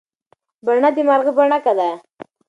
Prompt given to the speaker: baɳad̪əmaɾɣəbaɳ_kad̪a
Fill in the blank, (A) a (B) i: A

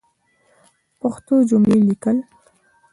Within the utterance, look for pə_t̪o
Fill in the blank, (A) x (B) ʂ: A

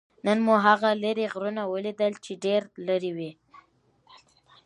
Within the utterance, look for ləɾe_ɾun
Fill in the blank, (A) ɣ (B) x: A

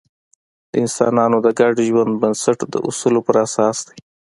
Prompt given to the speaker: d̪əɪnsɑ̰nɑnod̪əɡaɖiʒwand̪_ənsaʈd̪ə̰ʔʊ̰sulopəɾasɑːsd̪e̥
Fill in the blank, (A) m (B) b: B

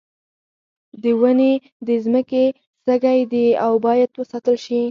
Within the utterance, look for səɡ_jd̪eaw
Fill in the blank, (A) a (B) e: A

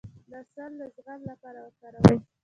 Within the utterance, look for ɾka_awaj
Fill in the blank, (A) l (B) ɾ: B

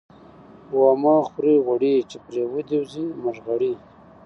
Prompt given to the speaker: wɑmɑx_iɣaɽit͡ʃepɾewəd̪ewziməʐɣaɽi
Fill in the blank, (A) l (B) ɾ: B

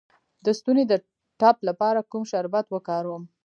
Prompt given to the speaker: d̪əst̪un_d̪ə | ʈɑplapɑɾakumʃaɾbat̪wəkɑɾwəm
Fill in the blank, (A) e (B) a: A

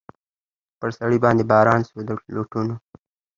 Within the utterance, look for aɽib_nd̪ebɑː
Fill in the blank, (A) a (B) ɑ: B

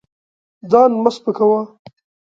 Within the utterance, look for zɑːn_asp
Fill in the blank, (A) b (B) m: B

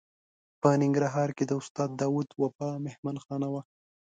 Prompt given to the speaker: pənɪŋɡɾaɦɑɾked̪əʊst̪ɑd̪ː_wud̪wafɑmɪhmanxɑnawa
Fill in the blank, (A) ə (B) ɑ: B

